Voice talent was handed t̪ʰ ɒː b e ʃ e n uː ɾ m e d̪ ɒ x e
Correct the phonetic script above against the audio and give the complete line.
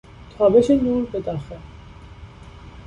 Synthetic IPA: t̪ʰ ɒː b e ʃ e n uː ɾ b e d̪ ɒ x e